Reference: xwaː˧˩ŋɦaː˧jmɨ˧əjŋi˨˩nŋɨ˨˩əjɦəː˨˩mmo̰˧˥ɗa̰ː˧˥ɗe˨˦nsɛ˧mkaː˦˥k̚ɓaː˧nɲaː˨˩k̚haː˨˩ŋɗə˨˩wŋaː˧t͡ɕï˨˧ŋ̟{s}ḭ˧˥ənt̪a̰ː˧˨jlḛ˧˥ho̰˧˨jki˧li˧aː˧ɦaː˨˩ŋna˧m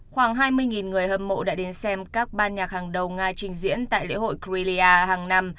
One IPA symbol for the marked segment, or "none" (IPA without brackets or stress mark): z